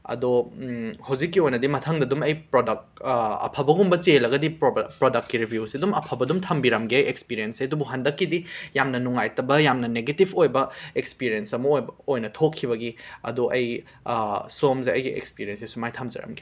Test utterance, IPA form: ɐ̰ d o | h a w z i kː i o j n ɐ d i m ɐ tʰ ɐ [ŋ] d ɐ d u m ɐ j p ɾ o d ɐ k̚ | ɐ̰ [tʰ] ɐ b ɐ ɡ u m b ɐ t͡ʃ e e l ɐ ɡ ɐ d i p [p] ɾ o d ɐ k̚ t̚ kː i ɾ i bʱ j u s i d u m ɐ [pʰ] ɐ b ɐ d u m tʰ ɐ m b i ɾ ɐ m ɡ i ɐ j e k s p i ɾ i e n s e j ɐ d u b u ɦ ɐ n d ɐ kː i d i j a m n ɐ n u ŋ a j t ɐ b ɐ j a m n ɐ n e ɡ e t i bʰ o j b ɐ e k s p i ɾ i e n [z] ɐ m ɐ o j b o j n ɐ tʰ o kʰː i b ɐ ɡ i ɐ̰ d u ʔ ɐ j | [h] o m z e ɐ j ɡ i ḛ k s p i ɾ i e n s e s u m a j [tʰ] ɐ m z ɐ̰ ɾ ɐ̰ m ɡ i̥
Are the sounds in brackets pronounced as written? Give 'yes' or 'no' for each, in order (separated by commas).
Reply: yes, no, yes, yes, no, no, yes